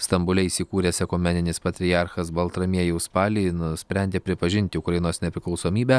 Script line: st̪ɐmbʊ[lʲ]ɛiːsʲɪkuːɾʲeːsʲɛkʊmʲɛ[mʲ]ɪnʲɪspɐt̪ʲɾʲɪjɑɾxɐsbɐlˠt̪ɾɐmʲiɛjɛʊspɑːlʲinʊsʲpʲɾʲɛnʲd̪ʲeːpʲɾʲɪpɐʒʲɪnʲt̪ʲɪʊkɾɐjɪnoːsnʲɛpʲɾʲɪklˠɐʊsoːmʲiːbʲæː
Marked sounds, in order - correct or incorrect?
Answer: correct, incorrect: nʲ

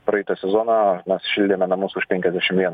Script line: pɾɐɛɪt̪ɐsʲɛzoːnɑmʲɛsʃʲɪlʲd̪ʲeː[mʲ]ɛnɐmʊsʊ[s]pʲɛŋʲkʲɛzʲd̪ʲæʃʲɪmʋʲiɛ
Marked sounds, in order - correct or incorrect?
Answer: correct, incorrect: ʃ

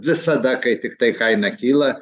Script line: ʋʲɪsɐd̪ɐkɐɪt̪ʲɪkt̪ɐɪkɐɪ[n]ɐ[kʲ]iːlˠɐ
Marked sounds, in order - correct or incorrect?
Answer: correct, correct

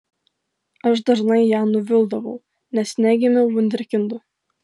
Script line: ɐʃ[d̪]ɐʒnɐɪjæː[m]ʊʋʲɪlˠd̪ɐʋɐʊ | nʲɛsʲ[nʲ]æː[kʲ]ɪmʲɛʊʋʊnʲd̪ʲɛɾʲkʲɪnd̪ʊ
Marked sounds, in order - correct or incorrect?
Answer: correct, incorrect: n, correct, incorrect: ɡʲ

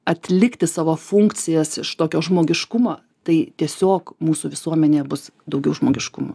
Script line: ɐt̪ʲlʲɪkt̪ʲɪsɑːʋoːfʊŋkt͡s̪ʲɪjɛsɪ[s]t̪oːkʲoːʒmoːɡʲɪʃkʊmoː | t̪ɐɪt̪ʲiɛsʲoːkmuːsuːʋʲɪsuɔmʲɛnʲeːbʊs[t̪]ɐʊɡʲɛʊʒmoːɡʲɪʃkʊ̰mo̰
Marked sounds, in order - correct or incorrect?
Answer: incorrect: ʃ, incorrect: d̪

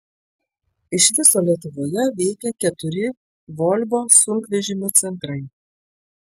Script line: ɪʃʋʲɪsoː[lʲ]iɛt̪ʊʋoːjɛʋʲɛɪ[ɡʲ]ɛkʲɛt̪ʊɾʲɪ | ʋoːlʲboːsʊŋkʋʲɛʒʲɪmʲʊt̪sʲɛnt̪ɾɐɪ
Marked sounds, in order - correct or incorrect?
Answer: correct, incorrect: kʲ

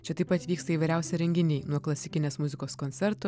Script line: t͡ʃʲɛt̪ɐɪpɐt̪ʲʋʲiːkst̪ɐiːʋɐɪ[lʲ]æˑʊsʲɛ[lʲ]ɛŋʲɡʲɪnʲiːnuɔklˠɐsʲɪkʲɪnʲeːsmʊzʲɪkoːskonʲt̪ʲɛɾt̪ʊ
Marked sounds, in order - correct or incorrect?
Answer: incorrect: ɾʲ, incorrect: ɾʲ

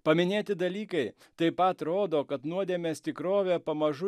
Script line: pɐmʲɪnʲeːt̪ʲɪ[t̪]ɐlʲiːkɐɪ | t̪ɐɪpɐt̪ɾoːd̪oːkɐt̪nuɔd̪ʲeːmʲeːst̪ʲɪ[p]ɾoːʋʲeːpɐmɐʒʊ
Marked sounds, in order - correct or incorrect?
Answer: incorrect: d̪, incorrect: k

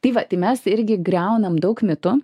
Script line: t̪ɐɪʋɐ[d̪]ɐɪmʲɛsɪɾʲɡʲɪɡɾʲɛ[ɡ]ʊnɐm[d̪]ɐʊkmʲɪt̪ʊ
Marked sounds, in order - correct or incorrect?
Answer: incorrect: t̪, incorrect: none, correct

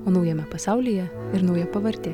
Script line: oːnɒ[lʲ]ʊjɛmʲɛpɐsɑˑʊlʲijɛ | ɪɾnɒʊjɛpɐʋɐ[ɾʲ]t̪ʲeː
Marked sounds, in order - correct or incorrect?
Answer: incorrect: none, correct

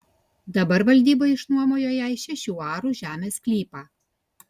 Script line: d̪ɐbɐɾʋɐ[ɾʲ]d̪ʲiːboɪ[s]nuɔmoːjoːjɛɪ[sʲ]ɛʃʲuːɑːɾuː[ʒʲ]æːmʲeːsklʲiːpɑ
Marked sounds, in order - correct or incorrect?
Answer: incorrect: lʲ, incorrect: ʃ, incorrect: ʃʲ, correct

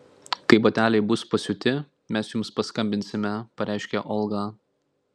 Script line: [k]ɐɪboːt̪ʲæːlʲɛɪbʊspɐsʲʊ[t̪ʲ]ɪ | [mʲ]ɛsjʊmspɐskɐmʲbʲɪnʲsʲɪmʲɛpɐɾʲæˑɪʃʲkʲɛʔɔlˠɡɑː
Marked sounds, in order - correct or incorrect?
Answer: correct, correct, correct

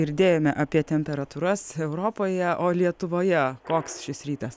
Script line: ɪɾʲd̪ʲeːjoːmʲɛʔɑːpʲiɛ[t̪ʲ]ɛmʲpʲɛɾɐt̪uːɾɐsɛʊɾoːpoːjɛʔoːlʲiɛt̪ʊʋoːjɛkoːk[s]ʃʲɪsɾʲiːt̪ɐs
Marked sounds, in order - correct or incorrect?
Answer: correct, correct

